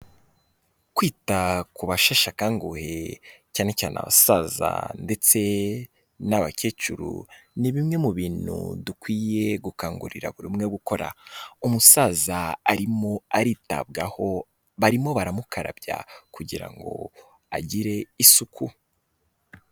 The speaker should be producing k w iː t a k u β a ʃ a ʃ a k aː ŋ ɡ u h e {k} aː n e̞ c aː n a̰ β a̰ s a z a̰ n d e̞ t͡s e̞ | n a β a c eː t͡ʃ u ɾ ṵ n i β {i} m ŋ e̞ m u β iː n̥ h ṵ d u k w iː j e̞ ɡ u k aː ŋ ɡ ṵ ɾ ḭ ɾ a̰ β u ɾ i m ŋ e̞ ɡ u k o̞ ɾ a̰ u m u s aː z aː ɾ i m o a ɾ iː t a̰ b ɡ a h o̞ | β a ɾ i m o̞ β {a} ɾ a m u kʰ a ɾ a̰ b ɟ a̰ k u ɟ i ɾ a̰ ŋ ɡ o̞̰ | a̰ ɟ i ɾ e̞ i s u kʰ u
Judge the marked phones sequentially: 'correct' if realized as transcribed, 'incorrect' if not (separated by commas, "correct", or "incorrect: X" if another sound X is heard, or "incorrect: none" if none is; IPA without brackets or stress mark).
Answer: incorrect: c, correct, correct